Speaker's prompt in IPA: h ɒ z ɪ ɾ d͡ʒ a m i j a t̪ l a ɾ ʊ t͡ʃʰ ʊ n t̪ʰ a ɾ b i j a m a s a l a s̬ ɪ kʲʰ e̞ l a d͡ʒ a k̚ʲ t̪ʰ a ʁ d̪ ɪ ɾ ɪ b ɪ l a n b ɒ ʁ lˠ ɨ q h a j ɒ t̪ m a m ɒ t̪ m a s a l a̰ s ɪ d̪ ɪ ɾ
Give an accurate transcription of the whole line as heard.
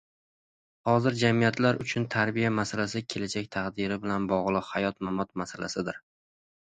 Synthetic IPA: h ɒ z ɪ ɾ d͡ʒ a m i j a t̪ l a ɾ ʊ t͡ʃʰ ʊ n t̪ʰ a ɾ b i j a m a s a l a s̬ ɪ kʲʰ e̞ l a d͡ʒ a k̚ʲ t̪ʰ a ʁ d̪ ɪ ɾ ɪ b ɪ l a n b ɒ ʁ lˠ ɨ q h a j ɒ t̪ m a m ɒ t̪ m a s a l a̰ s ɪ d̪ ɪ ɾ